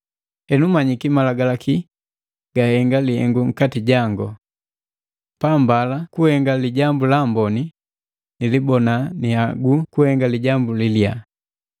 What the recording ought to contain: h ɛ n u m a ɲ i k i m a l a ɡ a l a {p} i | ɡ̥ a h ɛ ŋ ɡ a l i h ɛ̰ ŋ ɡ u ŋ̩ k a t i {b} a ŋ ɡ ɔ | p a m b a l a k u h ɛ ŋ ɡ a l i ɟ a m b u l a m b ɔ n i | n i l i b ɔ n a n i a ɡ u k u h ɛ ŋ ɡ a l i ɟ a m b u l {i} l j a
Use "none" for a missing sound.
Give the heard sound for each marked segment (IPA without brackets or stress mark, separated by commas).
k, ɟ, i